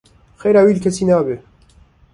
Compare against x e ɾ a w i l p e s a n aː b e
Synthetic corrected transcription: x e ɾ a w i l k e s i n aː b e